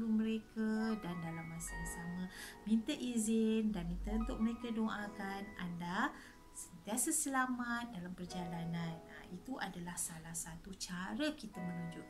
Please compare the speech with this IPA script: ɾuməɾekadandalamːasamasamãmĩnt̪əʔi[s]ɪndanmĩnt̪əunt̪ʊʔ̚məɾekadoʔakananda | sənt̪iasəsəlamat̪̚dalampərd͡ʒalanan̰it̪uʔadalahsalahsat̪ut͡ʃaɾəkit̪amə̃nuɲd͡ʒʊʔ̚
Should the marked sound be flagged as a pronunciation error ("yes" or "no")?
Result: yes